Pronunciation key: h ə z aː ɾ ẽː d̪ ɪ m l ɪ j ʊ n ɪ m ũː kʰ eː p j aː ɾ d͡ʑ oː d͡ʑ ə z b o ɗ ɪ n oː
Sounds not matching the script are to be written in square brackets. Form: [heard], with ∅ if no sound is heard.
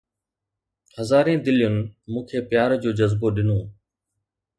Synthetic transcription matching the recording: h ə z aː ɾ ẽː d̪ ɪ [∅] l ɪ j ʊ n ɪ m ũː kʰ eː p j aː ɾ d͡ʑ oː d͡ʑ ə z b o ɗ ɪ n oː